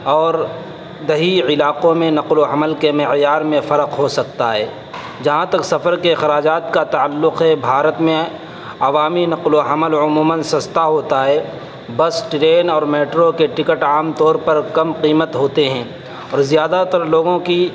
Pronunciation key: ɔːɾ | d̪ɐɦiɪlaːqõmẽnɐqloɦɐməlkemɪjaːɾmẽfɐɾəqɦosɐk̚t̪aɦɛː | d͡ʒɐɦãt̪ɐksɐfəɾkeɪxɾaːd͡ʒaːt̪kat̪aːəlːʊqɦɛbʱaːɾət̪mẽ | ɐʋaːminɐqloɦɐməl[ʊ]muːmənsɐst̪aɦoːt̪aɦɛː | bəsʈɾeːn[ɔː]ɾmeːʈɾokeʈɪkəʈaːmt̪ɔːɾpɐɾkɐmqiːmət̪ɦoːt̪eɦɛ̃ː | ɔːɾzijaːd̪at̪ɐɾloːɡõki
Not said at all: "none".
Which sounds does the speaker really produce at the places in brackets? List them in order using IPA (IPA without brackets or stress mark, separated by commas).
ʊ, ɔː